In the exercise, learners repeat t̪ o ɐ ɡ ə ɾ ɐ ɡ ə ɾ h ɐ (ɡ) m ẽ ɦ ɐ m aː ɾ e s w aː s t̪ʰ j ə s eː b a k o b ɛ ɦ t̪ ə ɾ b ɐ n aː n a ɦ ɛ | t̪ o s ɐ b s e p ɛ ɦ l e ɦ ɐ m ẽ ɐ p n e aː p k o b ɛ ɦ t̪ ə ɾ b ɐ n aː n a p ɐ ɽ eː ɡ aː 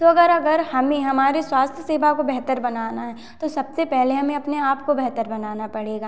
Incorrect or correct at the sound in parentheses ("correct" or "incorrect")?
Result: incorrect